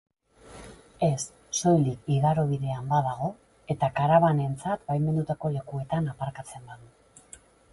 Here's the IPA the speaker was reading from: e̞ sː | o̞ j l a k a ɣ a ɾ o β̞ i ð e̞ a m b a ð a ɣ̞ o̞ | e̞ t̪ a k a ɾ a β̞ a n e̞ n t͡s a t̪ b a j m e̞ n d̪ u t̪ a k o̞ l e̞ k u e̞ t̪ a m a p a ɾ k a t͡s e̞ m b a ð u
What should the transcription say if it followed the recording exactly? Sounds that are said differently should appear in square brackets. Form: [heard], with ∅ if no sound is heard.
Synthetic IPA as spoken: e̞ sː | o̞ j l [i] k [i] ɣ a ɾ o β̞ i ð e̞ a m b a ð a ɣ̞ o̞ | e̞ t̪ a k a ɾ a β̞ a n e̞ n t͡s a t̪ b a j m e̞ n d̪ u t̪ a k o̞ l e̞ k u e̞ t̪ a [n] a p a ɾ k a t͡s e̞ m b a ð u